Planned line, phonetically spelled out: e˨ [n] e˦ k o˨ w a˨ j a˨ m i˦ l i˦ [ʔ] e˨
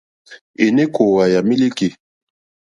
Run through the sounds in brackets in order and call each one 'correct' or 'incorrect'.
correct, incorrect: k

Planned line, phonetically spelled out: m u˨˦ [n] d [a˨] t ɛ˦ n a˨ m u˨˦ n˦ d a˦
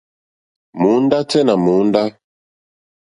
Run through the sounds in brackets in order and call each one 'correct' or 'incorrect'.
correct, incorrect: a˦

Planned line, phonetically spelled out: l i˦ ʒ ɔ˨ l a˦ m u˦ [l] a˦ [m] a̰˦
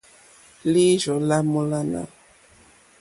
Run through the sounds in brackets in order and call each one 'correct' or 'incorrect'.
correct, incorrect: n

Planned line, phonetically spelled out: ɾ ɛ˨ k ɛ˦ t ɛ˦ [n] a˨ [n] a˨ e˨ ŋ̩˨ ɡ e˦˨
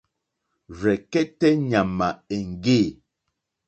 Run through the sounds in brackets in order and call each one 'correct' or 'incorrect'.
incorrect: ɲ, incorrect: m

